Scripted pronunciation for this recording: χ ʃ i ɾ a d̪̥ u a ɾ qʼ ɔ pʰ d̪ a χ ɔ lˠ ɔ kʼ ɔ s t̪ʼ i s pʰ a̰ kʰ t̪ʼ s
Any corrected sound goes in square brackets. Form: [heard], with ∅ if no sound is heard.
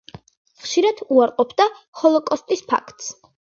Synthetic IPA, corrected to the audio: χ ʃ i ɾ a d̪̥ u a ɾ qʼ ɔ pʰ d̪ a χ ɔ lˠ ɔ kʼ ɔ s t̪ʼ i s pʰ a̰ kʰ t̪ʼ s